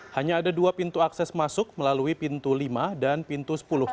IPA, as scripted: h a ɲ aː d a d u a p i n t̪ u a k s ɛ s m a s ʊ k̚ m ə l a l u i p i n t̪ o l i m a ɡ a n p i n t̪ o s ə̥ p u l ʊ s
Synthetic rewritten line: h a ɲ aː d a d u a p i n t̪ u a k s ɛ s m a s ʊ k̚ m ə l a l u i p i n t̪ u l i m a d a n p i n t̪ u s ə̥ p u l ʊ h

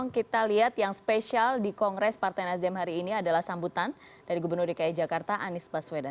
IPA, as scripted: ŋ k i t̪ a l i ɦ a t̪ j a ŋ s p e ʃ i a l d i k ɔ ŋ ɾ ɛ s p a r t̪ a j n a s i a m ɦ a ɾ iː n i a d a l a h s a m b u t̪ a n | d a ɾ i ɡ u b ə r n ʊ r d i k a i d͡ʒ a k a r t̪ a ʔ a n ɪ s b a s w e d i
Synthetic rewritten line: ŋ k i t̪ a l i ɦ a t̪ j a ŋ s p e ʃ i a l d i k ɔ ŋ ɾ ɛ s p a r t̪ a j n a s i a m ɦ a ɾ iː n i a d a l a h s a m b u t̪ a n | d a ɾ i ɡ u b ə r n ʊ r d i k a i d͡ʒ a k a r t̪ a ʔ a n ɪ s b a s w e d a

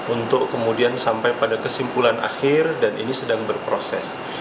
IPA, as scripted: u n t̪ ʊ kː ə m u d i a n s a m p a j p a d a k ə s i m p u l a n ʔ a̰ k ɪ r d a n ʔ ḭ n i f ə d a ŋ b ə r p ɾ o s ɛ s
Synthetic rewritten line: u n t̪ ʊ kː ə m u d i a n s a m p a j p a d a k ə s i m p u l a n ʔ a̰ x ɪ r d a n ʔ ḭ n i s ə d a ŋ b ə r p ɾ o s ɛ s

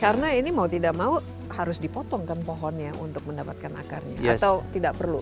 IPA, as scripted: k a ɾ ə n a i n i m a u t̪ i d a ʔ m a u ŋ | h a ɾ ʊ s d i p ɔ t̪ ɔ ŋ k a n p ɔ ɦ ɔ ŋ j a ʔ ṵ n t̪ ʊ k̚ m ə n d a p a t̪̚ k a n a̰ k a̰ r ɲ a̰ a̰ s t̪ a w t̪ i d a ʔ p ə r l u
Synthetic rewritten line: k a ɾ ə n a i n i m a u t̪ i d a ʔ m a u | h a ɾ ʊ s d i p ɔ t̪ ɔ ŋ k a n p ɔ ɦ ɔ n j a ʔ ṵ n t̪ ʊ k̚ m ə n d a p a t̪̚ k a n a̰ k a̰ r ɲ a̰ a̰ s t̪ a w t̪ i d a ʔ p ə r l u

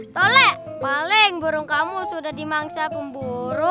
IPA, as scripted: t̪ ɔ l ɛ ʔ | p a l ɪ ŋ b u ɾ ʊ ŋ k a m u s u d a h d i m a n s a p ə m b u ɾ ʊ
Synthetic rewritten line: t̪ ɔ l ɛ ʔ | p a l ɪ ŋ b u ɾ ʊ ŋ k a m u s u d a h d i m a ŋ s a p ə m b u ɾ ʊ

